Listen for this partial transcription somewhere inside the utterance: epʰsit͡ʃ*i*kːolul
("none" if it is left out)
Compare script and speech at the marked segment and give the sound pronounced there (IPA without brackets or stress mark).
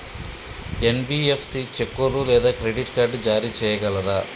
e